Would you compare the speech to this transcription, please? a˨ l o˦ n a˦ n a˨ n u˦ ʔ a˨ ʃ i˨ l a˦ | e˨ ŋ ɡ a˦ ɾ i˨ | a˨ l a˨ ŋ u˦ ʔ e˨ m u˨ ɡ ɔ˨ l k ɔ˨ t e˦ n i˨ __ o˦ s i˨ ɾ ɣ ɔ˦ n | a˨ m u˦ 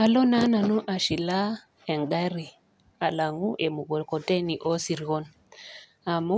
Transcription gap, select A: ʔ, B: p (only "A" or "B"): A